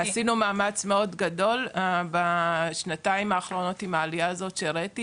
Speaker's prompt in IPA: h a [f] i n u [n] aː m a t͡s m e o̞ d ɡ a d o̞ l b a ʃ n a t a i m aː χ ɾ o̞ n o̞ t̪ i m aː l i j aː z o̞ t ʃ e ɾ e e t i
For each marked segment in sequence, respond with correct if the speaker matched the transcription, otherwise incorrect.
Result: incorrect: s, incorrect: m

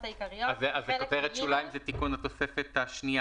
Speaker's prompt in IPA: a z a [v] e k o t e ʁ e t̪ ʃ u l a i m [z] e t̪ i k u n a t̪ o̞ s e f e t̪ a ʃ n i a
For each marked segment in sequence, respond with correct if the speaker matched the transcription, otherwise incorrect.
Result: incorrect: z, correct

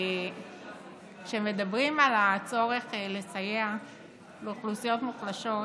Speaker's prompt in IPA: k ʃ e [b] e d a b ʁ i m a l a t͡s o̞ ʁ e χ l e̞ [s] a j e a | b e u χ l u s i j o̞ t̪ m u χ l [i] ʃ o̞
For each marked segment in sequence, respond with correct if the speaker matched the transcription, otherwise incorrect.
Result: incorrect: m, correct, incorrect: a

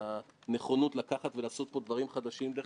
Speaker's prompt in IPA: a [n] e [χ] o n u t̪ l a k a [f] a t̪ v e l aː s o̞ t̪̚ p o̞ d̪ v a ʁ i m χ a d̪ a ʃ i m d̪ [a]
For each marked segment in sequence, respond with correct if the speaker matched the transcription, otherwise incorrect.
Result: correct, correct, incorrect: χ, incorrect: e

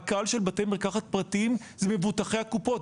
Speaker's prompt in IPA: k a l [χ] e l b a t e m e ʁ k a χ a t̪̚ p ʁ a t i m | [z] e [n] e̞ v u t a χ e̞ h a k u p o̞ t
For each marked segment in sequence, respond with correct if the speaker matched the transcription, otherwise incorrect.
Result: incorrect: ʃ, correct, incorrect: m

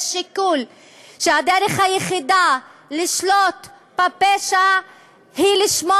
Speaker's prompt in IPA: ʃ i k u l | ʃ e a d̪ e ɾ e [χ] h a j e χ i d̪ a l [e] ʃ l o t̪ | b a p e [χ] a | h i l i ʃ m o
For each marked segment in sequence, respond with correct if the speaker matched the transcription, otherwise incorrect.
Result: correct, incorrect: i, incorrect: ʃ

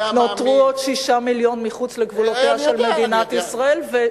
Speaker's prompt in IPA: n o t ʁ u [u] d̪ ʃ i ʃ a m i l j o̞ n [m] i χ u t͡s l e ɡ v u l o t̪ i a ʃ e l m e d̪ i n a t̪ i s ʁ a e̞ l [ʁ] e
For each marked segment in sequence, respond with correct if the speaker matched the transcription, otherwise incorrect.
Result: incorrect: o, correct, incorrect: v

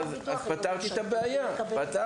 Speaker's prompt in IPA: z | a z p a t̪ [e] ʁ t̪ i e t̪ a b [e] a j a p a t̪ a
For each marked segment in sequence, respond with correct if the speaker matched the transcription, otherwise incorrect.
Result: incorrect: a, correct

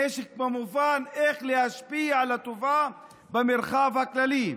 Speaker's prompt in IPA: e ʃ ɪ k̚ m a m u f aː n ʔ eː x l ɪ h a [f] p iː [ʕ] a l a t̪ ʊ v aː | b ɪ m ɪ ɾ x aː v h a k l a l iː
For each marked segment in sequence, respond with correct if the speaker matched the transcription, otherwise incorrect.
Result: incorrect: ʃ, correct

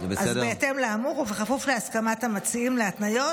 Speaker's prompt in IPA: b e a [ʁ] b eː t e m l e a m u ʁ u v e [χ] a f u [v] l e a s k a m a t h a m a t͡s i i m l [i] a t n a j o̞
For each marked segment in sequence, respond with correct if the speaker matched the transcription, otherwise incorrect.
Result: incorrect: z, correct, incorrect: f, incorrect: e

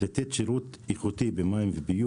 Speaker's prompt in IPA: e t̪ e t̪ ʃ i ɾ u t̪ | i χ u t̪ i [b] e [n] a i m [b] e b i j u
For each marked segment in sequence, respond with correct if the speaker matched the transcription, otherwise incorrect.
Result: correct, incorrect: m, incorrect: v

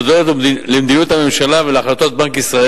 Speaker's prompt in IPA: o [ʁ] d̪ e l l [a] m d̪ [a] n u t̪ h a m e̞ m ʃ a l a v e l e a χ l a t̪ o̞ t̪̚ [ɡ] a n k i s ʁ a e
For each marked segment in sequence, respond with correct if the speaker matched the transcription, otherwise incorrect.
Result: incorrect: none, incorrect: e, incorrect: i, incorrect: b

